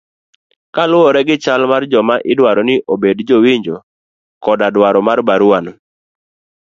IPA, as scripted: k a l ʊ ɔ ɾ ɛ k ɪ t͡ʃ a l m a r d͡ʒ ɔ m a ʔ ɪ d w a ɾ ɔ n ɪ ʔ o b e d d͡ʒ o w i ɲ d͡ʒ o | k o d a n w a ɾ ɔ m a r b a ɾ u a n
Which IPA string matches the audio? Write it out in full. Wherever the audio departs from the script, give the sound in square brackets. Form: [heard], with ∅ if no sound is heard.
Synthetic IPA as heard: k a l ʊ ɔ ɾ ɛ [ɡ] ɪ t͡ʃ a l m a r d͡ʒ ɔ m a ʔ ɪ d w a ɾ ɔ n ɪ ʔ o b e d d͡ʒ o w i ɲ d͡ʒ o | k [ɔ] d a [d] w a ɾ ɔ m a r b a ɾ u a n